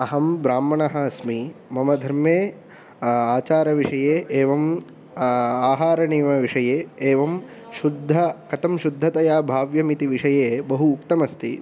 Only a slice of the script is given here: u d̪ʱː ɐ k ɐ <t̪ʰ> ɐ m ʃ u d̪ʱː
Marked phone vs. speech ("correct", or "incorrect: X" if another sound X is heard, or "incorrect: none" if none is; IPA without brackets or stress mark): incorrect: t̪